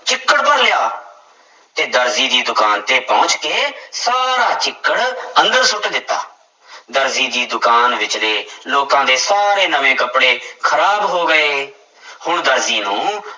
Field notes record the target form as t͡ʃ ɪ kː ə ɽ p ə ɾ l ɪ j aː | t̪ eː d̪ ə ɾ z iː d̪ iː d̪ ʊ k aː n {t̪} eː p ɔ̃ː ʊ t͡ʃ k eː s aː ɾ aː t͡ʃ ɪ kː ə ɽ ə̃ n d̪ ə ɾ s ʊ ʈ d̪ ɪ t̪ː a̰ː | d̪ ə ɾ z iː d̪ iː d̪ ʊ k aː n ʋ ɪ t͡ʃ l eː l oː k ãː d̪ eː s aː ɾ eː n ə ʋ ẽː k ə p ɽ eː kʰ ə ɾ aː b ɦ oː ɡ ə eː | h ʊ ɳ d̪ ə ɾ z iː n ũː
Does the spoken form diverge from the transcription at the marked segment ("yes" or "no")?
no